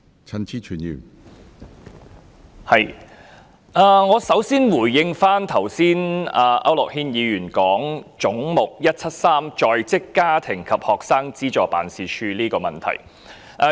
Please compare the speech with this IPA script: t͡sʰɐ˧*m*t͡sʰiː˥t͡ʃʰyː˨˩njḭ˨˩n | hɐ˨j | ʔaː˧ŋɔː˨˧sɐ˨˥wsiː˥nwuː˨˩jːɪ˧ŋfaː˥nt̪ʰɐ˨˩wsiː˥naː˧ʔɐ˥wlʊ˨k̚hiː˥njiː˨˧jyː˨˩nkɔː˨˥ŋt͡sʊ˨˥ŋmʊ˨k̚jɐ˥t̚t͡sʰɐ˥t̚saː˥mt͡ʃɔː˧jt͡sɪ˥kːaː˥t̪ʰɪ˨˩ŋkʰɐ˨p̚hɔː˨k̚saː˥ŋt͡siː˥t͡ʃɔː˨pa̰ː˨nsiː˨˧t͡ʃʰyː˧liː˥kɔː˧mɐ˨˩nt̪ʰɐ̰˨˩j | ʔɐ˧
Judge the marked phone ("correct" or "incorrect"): incorrect